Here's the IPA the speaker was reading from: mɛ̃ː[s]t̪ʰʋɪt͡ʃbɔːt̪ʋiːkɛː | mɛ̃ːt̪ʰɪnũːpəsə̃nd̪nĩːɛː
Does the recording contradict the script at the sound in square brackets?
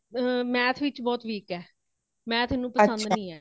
yes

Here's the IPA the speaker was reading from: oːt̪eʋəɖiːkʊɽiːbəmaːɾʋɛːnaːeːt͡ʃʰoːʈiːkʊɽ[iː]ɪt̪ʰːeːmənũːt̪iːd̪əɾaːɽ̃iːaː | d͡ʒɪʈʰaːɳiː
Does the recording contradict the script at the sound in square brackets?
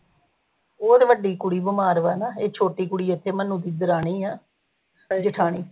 no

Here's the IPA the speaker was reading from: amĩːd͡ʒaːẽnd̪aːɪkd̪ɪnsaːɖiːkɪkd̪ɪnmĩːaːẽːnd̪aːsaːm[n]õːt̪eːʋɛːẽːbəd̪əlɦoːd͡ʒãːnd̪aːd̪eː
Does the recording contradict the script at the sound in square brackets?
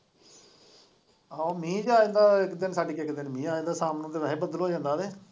no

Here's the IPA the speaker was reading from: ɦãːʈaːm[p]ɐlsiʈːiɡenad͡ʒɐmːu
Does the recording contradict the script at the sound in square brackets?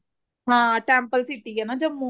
no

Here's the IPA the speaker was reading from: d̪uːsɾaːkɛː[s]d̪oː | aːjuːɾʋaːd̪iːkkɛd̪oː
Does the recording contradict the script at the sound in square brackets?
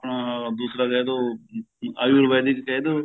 yes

